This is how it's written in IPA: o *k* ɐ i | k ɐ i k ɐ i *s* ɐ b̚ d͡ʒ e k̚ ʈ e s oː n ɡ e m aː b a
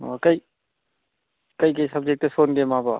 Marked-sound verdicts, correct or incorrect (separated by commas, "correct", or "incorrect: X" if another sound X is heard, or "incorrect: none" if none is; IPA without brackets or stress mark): correct, correct